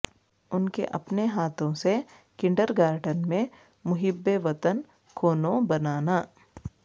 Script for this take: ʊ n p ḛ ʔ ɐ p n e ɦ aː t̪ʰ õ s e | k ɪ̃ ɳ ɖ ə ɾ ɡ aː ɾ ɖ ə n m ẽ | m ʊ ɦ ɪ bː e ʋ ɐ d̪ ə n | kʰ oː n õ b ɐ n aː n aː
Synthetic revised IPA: ʊ n k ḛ ʔ ɐ p n e ɦ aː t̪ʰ õ s e | k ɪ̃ ɳ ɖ ə ɾ ɡ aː ɾ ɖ ə n m ẽ | m ʊ ɦ ɪ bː e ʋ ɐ t̪ ə n | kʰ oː n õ b ɐ n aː n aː